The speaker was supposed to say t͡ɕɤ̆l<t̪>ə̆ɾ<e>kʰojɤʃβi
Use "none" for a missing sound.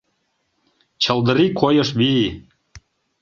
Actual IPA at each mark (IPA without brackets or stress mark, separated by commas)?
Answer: d̪, i